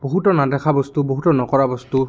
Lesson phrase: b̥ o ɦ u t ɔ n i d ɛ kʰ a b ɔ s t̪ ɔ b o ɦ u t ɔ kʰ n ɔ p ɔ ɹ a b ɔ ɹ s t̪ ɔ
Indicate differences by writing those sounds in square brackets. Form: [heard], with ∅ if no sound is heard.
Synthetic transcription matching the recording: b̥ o ɦ u t ɔ n [a] d ɛ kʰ a b ɔ s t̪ [u] b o ɦ u t ɔ [∅] n ɔ [k] ɔ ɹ a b ɔ [∅] s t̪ [u]